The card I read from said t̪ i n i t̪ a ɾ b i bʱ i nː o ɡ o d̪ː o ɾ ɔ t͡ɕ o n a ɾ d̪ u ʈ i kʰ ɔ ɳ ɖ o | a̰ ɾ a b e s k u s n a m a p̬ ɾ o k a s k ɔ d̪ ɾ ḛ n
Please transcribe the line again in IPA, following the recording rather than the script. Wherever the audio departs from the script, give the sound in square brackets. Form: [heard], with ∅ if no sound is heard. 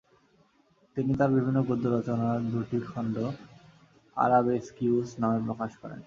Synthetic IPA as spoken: t̪ i n i t̪ a ɾ b i bʱ i nː o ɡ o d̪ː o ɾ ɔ t͡ɕ o n a ɾ d̪ u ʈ i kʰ ɔ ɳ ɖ o | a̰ ɾ a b e s k u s n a m [e] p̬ ɾ o k a [ʃ] k ɔ [∅] ɾ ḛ n

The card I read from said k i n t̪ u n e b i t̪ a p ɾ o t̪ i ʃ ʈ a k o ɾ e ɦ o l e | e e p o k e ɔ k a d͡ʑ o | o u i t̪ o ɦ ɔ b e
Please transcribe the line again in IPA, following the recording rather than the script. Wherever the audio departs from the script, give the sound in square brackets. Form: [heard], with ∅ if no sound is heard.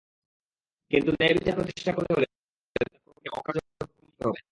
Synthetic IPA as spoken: k i n t̪ u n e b i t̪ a p ɾ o t̪ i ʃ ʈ a k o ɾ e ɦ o l e | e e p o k e ɔ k a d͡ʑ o | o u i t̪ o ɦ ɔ b e

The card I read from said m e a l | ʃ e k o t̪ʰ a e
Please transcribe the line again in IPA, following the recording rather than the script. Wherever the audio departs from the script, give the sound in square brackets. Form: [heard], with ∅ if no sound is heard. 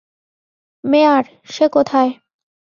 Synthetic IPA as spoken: m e a [ɾ] | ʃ e k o t̪ʰ a e

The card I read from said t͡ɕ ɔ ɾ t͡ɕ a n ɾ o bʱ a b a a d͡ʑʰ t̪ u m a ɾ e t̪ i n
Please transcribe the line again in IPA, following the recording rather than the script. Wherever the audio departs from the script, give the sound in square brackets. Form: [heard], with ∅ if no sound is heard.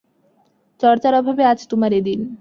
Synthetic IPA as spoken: t͡ɕ ɔ ɾ t͡ɕ a [∅] ɾ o bʱ a b [e] a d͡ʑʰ t̪ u m a ɾ e [d̪] i n

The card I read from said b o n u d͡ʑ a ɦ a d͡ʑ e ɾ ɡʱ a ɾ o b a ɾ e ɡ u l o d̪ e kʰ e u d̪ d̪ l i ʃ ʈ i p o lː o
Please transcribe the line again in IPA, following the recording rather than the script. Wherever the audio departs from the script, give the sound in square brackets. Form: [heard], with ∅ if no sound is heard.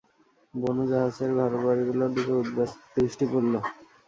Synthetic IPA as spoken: b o n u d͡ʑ a ɦ a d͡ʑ e ɾ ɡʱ a ɾ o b a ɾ [i] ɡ u l o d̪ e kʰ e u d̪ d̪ [ɾ] i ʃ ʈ i p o lː o

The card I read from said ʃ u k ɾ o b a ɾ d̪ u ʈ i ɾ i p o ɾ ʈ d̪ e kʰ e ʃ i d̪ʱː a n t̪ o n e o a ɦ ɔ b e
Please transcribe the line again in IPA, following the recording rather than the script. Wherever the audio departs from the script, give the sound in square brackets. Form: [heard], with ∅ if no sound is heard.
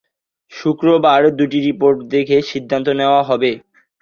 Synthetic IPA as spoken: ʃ u k ɾ o b a ɾ d̪ u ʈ i ɾ i p o ɾ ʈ d̪ e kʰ e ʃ i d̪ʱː a n t̪ o n e o a ɦ ɔ b e

